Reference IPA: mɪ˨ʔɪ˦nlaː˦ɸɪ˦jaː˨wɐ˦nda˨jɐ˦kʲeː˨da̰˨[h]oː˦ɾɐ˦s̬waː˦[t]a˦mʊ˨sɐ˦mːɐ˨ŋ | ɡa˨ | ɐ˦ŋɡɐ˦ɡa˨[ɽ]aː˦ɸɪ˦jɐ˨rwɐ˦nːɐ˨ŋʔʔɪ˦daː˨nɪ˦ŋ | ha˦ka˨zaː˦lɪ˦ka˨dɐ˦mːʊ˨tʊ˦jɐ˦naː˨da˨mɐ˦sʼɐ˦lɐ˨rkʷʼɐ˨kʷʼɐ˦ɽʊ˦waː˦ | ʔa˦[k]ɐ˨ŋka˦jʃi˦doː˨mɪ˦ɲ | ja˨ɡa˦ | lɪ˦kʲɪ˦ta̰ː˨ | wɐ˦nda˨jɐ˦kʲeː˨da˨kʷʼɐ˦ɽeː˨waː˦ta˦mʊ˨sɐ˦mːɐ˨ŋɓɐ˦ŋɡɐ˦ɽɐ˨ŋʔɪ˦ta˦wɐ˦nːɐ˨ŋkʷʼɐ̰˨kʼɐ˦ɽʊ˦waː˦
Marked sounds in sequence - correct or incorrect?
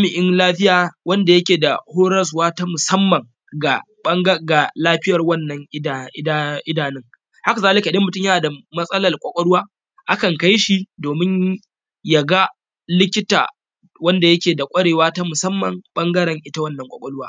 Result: correct, correct, incorrect, correct

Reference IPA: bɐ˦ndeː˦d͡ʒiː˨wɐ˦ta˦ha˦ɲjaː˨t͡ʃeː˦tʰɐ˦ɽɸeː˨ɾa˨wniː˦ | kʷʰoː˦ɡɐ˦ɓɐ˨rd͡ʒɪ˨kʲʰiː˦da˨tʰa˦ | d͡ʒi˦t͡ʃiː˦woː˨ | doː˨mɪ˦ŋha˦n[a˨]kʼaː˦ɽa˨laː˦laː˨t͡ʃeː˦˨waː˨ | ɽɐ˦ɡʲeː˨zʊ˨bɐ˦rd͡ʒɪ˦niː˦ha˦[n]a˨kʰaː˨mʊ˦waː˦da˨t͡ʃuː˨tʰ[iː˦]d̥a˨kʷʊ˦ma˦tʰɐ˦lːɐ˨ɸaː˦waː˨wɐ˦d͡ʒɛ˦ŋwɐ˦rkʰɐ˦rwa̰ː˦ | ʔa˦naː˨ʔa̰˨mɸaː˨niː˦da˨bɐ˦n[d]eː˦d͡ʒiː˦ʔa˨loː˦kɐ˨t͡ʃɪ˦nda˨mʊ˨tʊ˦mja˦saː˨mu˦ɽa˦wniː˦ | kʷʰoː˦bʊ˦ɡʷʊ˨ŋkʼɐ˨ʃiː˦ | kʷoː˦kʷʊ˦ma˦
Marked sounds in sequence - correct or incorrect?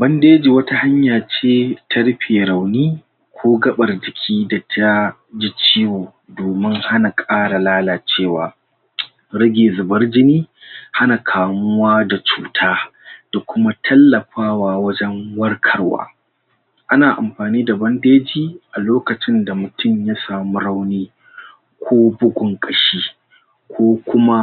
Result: correct, correct, incorrect, correct

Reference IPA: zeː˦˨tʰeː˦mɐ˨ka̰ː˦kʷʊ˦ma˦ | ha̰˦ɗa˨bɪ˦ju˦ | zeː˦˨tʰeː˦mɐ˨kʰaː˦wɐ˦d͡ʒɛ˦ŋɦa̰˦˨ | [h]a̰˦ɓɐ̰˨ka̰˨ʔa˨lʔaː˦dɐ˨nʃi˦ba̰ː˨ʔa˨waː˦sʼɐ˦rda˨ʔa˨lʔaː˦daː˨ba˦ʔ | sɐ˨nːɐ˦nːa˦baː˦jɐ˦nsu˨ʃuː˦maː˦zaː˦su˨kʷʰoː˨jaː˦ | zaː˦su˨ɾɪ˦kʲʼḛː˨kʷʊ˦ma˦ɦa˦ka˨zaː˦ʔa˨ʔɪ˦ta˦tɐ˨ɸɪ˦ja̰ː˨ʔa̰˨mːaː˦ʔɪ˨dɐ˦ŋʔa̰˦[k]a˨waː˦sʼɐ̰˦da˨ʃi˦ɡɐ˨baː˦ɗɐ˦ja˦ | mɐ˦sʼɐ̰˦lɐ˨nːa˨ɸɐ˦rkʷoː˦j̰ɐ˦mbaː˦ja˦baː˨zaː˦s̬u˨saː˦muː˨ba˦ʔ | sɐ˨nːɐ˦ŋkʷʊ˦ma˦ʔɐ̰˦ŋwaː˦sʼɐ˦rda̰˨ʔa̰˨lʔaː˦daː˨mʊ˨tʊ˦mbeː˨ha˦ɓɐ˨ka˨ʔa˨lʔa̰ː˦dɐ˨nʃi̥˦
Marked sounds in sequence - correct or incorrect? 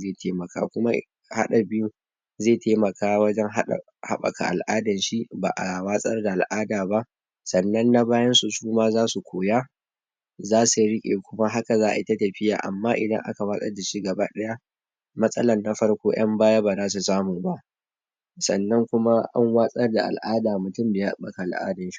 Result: correct, correct

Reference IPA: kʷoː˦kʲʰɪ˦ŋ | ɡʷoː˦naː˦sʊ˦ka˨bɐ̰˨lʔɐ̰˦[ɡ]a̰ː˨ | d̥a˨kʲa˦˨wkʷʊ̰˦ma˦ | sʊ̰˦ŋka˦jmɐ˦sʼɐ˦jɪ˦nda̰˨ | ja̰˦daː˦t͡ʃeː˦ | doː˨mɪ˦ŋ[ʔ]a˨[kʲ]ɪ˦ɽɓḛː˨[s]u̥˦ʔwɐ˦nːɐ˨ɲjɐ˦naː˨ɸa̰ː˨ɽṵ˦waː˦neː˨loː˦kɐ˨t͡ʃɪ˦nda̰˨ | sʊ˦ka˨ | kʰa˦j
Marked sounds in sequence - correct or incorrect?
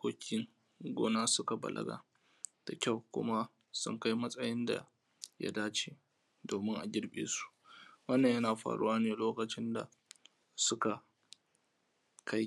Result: correct, correct, incorrect, correct

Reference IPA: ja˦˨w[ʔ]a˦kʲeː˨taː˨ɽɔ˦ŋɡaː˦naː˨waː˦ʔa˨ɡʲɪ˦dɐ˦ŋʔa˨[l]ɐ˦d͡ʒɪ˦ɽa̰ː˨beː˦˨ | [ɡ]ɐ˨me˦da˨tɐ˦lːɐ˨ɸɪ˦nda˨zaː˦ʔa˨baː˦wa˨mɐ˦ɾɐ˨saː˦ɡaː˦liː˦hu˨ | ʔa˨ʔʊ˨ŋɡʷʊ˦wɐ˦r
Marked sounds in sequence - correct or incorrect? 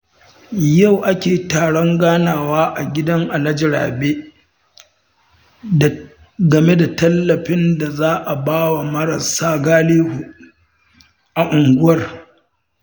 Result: correct, correct, correct

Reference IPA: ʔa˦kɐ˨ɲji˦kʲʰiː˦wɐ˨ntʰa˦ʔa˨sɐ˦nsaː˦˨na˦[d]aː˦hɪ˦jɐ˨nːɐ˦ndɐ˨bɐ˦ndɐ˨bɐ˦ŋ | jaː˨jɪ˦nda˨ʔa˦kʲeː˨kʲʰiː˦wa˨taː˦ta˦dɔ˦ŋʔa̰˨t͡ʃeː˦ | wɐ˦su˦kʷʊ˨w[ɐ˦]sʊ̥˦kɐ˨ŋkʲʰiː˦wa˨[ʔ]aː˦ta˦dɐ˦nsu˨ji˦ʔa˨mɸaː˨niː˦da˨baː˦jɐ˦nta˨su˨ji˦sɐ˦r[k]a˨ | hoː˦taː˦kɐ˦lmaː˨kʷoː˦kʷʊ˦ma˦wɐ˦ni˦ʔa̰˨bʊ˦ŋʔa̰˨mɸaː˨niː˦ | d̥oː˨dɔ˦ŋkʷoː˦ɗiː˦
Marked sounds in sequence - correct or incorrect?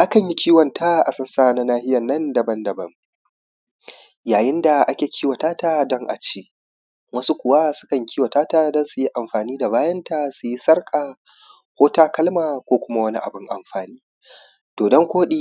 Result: incorrect, incorrect, incorrect, incorrect

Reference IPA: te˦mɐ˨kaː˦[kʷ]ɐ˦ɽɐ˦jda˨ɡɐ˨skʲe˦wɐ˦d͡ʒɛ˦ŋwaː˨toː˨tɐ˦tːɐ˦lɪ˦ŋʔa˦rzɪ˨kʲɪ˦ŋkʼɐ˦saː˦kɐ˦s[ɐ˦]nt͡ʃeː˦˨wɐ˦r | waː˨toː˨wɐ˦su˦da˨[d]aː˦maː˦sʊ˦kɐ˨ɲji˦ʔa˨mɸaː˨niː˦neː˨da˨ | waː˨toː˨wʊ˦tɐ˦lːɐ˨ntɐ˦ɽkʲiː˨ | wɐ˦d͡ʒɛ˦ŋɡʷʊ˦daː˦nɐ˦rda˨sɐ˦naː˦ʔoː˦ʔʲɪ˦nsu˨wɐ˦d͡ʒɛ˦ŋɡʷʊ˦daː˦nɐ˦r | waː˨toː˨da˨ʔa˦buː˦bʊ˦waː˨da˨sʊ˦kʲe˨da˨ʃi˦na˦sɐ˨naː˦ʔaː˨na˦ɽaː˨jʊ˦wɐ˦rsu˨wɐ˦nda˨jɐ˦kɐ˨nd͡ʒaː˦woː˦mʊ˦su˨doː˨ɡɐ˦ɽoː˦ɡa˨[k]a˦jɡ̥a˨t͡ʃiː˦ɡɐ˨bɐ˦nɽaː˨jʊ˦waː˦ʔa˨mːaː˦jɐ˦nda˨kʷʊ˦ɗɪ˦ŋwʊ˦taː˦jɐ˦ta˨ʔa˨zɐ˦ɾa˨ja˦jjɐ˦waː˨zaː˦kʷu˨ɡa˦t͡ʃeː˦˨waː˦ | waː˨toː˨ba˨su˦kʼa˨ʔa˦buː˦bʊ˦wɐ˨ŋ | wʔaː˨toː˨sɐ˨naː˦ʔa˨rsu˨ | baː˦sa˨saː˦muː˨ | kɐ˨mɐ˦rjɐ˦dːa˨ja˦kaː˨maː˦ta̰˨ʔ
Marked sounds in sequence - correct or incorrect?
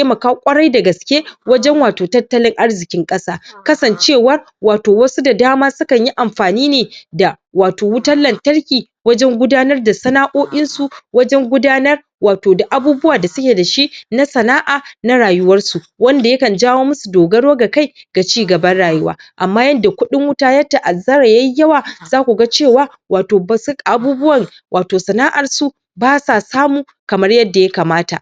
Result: incorrect, incorrect, correct, correct

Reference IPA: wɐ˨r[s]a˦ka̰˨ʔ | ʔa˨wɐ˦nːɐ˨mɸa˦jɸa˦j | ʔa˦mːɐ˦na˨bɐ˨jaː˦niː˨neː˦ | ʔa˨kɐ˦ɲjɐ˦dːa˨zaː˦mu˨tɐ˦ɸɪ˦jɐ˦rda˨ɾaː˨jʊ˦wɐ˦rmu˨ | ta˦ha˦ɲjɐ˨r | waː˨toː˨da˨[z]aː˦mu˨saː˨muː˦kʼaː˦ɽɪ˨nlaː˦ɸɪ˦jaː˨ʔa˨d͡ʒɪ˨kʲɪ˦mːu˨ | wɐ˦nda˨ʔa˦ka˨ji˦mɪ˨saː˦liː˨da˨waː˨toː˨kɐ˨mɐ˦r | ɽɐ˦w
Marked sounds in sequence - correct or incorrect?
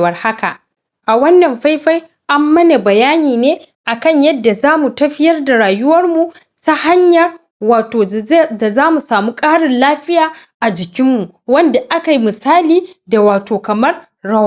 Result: incorrect, correct

